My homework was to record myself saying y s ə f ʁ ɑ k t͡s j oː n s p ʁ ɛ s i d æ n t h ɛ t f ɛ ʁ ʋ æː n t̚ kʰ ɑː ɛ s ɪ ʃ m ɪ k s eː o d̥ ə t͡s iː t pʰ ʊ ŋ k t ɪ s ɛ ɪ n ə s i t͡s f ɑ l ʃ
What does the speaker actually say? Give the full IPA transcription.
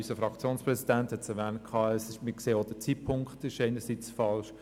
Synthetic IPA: y s ə f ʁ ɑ k t͡s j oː n s p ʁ ɛ s i d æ n t h ɛ t s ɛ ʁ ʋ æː n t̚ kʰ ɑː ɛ s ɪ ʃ m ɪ k s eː o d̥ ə t͡s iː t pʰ ʊ ŋ k t ɪ ʃ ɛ ɪ n ə s i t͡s f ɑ l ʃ

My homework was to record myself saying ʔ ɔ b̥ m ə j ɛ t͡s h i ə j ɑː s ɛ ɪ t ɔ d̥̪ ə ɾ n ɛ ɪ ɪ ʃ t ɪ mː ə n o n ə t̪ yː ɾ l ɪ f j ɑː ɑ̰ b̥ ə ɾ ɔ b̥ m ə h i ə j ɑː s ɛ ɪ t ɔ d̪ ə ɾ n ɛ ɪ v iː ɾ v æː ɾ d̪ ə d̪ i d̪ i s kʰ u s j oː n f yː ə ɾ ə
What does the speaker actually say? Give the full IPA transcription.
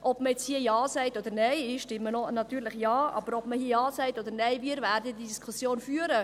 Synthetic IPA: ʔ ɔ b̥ m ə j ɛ t͡s h i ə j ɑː s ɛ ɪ t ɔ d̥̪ ə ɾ n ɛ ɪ ɪ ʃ t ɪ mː ə n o n ɑ t̪ yː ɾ l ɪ χ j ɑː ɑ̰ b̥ ə ɾ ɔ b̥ m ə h i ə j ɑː s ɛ ɪ t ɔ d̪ ə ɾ n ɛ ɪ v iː ɾ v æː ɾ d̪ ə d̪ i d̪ i s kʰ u s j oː n f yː ə ɾ ə

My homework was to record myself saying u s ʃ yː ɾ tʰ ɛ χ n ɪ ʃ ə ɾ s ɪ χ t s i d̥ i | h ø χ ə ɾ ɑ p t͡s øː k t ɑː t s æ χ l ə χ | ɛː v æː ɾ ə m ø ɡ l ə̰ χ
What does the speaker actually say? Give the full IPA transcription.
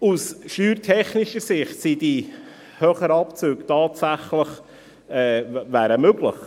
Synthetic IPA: u s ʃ yː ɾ tʰ ɛ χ n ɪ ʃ ə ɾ s ɪ χ t s i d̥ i | h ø χ ə ɾ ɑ p t͡s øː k t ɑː t s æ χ l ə χ | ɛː v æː ɾ ə m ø ɡ l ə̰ χ

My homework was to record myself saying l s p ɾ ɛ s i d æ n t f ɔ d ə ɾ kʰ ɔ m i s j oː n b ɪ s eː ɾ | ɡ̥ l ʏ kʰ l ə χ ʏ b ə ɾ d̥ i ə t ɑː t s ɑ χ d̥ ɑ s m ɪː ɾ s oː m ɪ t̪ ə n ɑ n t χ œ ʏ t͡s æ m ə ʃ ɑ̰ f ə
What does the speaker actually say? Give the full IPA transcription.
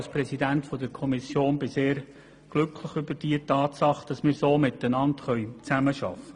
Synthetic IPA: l s p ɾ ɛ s i d æ n t f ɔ d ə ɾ kʰ ɔ m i s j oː n b ɪ s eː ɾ | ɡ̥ l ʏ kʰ l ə χ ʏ b ə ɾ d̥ i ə t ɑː t s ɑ χ d̥ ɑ s m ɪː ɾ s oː m ɪ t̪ ə n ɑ n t χ œ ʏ t͡s æ m ə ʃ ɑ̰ f ə

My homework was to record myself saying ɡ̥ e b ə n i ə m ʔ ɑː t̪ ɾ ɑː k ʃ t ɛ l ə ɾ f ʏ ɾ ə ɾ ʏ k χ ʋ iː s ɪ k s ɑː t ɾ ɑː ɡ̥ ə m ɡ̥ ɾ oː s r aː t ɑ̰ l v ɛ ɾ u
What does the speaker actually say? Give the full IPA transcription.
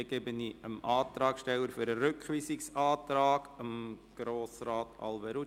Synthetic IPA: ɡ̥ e b ə n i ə m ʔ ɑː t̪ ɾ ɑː k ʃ t ɛ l ə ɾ f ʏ ɾ ə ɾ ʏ k χ ʋ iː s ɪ k s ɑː t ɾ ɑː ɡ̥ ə m ɡ̥ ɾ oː s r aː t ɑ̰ l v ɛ ɾ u

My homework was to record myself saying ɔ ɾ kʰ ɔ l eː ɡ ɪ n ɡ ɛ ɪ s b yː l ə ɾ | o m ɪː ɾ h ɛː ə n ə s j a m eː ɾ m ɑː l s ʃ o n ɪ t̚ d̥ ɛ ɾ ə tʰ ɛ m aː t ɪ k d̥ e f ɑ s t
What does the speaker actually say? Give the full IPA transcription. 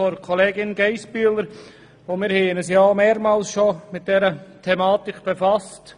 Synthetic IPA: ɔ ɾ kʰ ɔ l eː ɡ ɪ n ɡ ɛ ɪ s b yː l ə ɾ | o m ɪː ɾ h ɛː ə n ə s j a m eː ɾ m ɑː l s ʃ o m ɪ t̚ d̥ ɛ ɾ ə tʰ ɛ m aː t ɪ k b̥ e f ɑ s t

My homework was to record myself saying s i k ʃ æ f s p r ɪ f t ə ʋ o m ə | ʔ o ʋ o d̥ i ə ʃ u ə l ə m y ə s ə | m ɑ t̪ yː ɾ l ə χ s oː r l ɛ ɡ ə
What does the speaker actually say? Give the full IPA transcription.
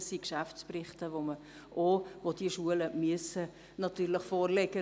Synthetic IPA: s i k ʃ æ f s p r ɪ χ t ə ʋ o m ə | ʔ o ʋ o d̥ i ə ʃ u ə l ə m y ə s ə | n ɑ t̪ yː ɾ l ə χ f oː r l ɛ ɡ ə

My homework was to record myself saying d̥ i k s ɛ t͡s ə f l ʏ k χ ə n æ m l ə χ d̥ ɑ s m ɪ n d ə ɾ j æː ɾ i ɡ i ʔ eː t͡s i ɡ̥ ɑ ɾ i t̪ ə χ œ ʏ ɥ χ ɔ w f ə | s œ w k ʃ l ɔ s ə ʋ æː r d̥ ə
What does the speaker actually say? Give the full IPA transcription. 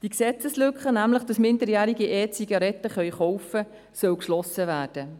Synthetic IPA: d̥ i k s ɛ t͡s ə s l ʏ k χ ə n æ m l ə χ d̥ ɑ s m ɪ n d ə ɾ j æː ɾ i ɡ i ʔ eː t͡s i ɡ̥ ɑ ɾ ɛ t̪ ə χ œ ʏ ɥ χ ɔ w f ə | s œ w k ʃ l ɔ s ə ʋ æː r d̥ ə

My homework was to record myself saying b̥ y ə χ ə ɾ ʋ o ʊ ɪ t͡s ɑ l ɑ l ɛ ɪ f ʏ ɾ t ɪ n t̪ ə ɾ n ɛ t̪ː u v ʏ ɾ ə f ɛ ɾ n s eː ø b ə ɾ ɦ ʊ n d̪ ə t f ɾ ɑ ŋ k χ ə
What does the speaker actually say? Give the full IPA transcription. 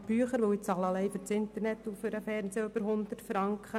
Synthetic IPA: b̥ y ə χ ə ɾ ʋ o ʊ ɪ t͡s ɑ l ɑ l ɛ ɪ f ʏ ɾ t͡s ɪ n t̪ ə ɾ n ɛ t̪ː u f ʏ ɾ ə f ɛ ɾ n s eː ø b ə ɾ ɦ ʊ n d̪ ə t f ɾ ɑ ŋ k χ ə

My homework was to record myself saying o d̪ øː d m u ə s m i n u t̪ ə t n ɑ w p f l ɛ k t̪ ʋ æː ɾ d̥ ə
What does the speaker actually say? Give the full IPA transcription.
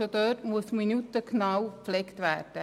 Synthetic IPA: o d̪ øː t m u ə s m i n u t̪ ə k n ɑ w p f l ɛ k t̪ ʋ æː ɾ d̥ ə

